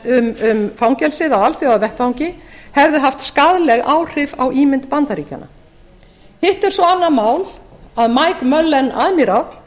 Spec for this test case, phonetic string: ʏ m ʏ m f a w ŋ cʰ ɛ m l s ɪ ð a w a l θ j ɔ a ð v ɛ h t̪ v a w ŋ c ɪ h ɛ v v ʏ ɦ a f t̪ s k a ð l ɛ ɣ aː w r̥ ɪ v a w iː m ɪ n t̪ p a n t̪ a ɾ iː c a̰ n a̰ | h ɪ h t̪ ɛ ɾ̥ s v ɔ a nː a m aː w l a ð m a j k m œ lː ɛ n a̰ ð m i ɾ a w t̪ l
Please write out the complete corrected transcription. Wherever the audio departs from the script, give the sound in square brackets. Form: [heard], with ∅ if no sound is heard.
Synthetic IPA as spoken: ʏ m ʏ m f a w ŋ [c] ɛ [∅] l s ɪ ð a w a l θ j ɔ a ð v ɛ h t̪ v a w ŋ c ɪ h ɛ v [ð] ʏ ɦ a f t̪ s k a ð l ɛ ɣ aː w r̥ ɪ v a w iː m ɪ n t̪ p a n t̪ a ɾ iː c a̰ n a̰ | h ɪ h t̪ ɛ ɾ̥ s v ɔ a nː a m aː w l a ð m a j k m œ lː ɛ n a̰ ð m i ɾ a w t̪ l